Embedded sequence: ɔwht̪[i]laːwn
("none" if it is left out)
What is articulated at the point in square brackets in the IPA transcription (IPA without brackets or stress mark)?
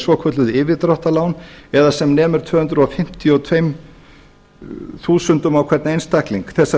a